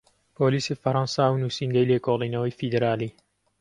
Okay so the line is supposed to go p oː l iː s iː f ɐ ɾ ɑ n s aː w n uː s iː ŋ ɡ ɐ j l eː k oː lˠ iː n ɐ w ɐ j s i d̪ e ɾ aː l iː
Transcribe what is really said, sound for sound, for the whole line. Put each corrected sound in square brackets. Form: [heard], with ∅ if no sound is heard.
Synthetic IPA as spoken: p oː l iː s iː f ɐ ɾ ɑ n s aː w n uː s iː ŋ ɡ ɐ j l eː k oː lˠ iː n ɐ w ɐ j [f] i d̪ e ɾ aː l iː

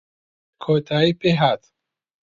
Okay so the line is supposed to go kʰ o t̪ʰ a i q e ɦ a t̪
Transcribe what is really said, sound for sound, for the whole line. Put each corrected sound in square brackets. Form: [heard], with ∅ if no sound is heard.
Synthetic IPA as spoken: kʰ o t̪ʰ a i [p] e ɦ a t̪

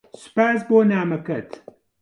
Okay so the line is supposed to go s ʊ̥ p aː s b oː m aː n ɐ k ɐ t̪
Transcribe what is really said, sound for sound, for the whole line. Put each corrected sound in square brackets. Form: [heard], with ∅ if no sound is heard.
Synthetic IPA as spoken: s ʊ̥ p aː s b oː [n] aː [m] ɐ k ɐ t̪

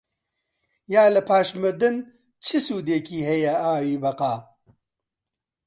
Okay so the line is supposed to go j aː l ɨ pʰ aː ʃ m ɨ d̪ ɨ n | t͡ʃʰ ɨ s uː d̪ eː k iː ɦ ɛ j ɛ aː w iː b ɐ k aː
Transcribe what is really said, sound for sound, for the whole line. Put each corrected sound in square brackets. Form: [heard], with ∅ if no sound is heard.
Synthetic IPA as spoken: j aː l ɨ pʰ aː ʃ m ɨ d̪ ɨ n | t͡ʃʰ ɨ s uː d̪ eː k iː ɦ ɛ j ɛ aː w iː b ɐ [q] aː

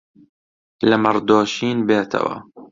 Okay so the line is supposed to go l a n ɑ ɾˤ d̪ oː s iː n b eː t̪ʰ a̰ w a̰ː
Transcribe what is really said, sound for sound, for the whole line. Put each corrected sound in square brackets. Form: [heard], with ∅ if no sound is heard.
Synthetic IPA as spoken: l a [m] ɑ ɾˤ d̪ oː [ʃ] iː n b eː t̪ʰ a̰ w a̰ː

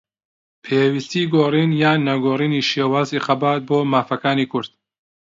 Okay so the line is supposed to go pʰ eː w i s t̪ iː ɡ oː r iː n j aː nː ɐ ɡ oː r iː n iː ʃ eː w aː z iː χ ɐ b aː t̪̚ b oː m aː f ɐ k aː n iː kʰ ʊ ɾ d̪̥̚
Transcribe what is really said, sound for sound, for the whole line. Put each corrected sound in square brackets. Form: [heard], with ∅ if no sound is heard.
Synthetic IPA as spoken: pʰ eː w i s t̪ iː ɡ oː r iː n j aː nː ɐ ɡ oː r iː n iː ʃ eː w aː z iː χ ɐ b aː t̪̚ b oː m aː f ɐ k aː n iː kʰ ʊ ɾ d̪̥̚

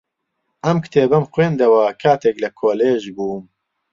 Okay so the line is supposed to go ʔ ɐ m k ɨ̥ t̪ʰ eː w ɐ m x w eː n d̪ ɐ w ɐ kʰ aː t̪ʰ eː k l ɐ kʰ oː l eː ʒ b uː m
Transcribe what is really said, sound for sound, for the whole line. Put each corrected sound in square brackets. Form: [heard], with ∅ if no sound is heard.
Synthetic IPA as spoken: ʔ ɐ m k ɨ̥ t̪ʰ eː [b] ɐ m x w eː n d̪ ɐ w ɐ kʰ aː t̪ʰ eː k l ɐ kʰ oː l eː ʒ b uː m

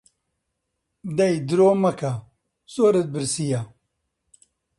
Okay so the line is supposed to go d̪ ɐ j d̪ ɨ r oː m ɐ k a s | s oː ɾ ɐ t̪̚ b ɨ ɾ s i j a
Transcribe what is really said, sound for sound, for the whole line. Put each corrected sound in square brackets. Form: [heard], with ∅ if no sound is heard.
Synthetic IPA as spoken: d̪ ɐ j d̪ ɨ [ɾ] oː m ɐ k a [∅] | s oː ɾ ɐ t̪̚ b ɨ ɾ s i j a

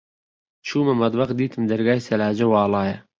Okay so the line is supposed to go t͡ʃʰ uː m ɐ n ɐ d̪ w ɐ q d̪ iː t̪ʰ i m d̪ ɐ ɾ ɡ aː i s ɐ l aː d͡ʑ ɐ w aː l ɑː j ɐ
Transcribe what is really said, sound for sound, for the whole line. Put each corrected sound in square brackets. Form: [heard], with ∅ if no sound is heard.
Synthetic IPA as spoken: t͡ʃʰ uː m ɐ [m] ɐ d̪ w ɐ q d̪ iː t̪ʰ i m d̪ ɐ ɾ ɡ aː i s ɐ l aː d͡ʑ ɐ w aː l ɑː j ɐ

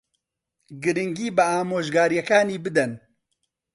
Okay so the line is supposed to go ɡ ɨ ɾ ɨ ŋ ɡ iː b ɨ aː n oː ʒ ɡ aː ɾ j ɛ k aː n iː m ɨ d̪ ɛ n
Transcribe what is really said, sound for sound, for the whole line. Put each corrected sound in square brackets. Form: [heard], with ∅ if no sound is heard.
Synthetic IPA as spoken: ɡ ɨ ɾ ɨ ŋ ɡ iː b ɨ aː [m] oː ʒ ɡ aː ɾ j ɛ k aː n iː [b] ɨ d̪ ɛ n

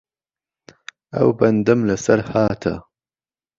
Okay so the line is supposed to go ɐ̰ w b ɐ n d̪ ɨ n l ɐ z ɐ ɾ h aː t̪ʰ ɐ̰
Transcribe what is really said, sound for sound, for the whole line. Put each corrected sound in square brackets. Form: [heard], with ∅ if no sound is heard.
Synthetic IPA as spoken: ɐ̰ w b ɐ n d̪ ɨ [m] l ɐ [s] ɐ ɾ h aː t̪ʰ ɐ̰

